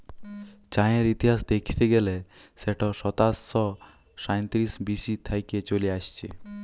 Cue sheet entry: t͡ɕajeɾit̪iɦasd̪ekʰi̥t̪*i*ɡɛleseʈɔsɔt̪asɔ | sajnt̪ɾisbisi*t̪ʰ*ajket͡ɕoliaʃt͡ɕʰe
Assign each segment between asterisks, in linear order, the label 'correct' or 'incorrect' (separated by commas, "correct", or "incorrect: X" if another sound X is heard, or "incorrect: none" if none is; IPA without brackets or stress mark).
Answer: incorrect: e, correct